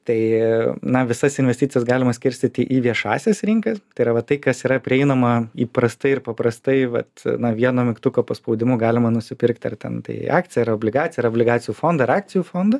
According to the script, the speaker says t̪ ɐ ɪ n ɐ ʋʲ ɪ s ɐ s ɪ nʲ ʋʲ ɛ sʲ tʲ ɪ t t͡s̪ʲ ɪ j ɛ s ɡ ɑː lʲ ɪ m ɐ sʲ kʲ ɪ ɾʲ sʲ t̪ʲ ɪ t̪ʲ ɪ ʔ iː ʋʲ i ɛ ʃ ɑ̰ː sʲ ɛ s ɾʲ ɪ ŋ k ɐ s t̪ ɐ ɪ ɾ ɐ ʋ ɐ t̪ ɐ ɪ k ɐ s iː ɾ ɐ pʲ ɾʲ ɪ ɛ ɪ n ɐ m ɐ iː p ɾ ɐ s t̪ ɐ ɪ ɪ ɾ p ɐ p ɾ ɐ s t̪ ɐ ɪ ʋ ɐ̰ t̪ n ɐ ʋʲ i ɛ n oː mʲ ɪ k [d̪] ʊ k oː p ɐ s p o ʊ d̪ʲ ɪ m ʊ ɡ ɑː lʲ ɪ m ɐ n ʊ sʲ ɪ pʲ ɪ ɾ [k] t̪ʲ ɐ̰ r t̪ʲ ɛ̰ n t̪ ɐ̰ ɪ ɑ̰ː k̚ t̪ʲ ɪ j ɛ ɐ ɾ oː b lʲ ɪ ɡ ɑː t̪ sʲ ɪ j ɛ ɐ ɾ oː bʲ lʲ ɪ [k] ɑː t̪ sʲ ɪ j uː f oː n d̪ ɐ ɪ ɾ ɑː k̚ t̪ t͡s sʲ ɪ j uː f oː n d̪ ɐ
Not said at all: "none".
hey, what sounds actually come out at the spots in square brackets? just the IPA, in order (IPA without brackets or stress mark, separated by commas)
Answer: t̪, k, ɡ